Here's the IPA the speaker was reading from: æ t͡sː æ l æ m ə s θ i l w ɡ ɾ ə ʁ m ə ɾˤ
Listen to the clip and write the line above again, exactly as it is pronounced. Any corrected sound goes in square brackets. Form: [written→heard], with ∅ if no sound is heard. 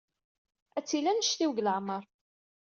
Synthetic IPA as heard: æ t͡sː [æ→i] l æ [m→n] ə [s→ʃ] θ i [l→∅] w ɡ [ɾ→l] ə [ʁ→ʕ] m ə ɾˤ